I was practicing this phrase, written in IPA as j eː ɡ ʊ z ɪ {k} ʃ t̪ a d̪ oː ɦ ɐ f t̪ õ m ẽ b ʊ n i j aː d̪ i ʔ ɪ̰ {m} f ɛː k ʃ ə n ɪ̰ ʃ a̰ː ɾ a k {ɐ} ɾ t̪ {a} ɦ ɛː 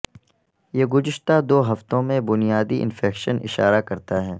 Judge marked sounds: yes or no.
no, no, yes, yes

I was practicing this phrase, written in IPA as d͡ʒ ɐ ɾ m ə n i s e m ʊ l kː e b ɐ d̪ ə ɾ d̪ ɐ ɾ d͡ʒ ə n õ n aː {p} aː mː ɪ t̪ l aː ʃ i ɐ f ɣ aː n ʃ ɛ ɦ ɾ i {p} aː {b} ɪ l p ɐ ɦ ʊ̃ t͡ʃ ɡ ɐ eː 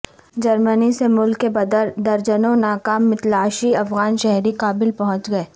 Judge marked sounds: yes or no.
no, no, yes

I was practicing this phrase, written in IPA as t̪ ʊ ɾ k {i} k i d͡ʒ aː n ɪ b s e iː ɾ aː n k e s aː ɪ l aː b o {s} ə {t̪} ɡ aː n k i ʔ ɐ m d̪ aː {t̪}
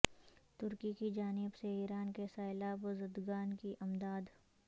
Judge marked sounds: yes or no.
yes, no, no, no

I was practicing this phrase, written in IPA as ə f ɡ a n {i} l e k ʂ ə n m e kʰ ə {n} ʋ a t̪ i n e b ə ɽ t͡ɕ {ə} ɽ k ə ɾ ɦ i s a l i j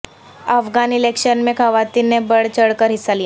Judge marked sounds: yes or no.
yes, no, yes

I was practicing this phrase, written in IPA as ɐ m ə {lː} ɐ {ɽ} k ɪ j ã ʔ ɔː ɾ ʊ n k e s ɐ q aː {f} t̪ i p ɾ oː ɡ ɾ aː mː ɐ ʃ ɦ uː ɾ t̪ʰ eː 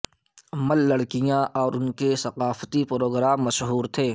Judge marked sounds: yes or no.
yes, yes, yes

